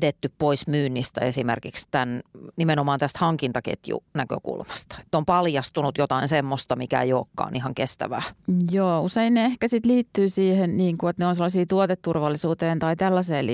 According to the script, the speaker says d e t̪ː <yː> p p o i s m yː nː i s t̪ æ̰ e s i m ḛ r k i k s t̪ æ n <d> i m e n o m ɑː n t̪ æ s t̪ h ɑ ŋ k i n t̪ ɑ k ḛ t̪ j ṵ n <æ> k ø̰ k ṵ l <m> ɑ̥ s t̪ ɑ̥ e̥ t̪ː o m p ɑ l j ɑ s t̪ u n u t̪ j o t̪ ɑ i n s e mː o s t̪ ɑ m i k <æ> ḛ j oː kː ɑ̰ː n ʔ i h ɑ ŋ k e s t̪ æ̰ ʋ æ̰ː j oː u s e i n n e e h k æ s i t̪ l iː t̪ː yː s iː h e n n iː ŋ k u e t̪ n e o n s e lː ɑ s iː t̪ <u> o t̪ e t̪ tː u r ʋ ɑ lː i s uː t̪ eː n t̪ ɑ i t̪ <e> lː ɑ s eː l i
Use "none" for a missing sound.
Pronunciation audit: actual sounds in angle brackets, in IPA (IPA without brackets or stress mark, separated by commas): y, n, æ, m, æ, u, æ